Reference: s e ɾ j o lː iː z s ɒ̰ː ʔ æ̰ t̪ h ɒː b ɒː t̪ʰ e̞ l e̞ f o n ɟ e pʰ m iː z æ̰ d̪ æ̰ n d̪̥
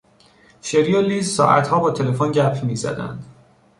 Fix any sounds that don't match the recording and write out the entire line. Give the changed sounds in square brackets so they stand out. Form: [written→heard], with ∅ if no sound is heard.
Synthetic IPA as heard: [s→ʃ] e ɾ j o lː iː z s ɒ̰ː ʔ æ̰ t̪ h ɒː b ɒː t̪ʰ e̞ l e̞ f o n ɟ [e→æ] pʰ m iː z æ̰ d̪ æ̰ n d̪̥